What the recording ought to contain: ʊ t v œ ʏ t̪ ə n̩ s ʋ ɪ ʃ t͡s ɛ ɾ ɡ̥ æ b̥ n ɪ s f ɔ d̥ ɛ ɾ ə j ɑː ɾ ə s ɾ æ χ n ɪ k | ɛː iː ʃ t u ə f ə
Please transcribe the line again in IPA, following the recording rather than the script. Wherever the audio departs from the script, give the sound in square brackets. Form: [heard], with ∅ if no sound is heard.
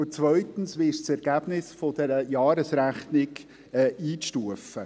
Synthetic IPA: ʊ [t͡s] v œ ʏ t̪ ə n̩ s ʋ ɪ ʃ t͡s ɛ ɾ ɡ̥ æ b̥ n ɪ s f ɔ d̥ ɛ ɾ ə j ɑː ɾ ə s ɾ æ χ n ɪ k | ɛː iː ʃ t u ə f ə